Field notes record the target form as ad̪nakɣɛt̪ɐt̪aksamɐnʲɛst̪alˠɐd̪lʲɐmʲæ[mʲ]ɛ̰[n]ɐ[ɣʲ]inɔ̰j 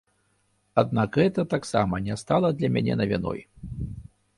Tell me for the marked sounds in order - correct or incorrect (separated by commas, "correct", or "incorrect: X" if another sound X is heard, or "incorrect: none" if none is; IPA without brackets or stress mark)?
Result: incorrect: nʲ, correct, incorrect: vʲ